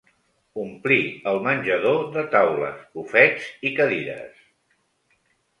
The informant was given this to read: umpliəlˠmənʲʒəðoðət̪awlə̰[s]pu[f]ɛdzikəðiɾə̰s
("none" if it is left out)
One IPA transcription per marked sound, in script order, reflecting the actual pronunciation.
s, f

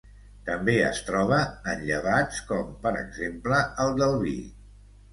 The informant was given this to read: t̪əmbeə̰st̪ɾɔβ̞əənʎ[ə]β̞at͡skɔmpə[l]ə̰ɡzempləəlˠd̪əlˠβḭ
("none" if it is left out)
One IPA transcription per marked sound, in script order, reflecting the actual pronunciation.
ə, ɾ

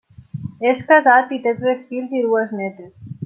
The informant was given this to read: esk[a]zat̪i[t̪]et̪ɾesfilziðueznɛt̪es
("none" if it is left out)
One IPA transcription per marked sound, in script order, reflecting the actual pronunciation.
a, t̪

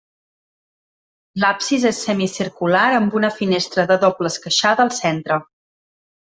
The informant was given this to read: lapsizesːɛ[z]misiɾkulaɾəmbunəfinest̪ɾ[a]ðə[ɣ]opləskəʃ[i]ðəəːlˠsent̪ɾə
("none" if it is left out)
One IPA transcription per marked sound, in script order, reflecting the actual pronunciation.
none, ə, ð, a

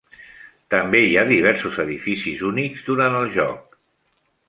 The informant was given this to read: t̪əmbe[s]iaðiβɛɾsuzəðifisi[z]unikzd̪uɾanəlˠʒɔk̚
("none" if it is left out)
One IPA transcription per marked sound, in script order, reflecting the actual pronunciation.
none, z

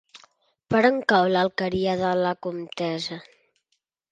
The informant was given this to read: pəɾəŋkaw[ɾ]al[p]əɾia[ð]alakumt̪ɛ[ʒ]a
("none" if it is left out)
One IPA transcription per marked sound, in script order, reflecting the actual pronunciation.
l, k, ð, z

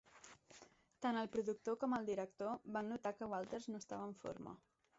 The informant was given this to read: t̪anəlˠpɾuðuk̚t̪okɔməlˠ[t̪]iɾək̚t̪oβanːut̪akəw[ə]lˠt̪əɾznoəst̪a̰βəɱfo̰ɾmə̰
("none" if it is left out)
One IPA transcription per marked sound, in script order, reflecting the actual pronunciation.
d̪, a

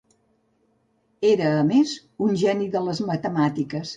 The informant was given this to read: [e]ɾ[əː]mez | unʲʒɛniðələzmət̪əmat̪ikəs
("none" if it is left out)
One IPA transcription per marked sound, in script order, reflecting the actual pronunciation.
e, əː

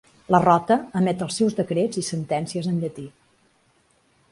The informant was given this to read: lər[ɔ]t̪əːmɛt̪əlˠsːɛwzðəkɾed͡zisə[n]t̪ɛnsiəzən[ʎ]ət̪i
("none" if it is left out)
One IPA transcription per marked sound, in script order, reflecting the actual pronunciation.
ɔ, n, ʎ

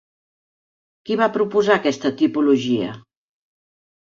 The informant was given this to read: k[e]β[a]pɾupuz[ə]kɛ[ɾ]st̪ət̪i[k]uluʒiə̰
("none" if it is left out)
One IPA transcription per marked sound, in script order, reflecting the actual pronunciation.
i, a, a, none, p

